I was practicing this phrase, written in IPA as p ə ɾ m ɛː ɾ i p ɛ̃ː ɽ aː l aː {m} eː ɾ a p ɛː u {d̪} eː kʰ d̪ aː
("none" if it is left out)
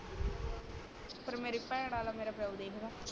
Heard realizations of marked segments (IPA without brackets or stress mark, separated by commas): m, d̪